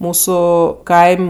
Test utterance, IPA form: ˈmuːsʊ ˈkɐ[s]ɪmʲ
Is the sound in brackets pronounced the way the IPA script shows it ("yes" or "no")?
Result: no